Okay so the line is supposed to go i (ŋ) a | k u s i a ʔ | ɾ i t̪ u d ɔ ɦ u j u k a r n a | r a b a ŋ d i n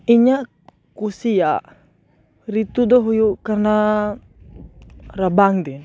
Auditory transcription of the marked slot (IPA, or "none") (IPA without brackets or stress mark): ɲ